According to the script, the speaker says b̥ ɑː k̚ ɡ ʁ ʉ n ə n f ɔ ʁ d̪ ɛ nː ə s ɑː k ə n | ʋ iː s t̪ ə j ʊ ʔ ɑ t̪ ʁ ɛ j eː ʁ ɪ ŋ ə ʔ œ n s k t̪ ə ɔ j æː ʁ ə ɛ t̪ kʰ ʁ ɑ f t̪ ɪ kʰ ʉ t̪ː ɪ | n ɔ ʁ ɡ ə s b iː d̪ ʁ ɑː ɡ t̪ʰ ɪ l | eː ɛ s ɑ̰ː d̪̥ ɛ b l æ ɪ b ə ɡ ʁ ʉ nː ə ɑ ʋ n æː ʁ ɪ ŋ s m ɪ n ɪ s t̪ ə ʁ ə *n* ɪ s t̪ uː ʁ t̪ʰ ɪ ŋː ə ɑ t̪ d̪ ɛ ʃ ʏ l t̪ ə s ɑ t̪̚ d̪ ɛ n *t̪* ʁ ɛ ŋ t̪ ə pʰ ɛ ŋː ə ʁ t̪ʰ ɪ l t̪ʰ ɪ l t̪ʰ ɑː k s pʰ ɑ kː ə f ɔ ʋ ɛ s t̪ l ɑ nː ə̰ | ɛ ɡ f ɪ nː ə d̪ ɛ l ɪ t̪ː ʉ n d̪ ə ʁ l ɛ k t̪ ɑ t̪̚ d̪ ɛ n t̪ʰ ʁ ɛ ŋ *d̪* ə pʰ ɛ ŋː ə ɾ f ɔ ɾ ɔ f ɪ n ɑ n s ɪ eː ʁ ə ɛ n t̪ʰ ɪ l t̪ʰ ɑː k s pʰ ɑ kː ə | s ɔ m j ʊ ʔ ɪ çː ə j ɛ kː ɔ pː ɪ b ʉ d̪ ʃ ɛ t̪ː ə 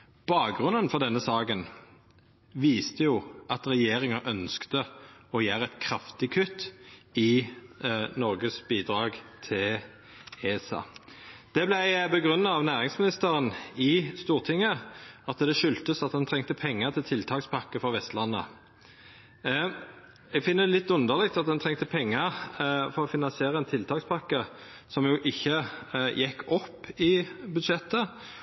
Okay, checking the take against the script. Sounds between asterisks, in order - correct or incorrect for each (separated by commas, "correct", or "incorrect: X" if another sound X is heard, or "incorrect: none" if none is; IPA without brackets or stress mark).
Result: correct, incorrect: t̪ʰ, incorrect: t̪